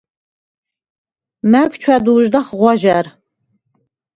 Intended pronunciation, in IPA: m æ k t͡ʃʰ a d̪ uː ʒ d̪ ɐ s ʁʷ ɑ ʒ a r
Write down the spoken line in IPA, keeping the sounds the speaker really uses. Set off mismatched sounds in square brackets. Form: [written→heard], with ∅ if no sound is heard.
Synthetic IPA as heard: m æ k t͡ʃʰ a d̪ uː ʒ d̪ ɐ [s→χ] ʁʷ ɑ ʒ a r